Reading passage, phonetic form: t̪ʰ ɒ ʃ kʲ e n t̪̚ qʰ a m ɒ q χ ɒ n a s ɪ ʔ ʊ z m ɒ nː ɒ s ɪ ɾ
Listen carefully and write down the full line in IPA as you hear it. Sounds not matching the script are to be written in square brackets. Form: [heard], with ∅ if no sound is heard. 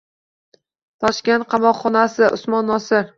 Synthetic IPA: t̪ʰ ɒ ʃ kʲ e n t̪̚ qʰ [ɑ] m ɒ q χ ɒ n a s ɪ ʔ ʊ [s] m ɒ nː ɒ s ɪ ɾ